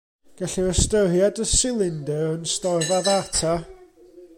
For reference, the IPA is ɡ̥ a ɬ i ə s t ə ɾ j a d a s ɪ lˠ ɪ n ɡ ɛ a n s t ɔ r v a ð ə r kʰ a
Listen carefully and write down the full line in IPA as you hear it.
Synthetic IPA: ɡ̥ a ɬ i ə s t ə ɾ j a d ə s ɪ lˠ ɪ n d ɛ ə n s t ɔ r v a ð a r tʰ a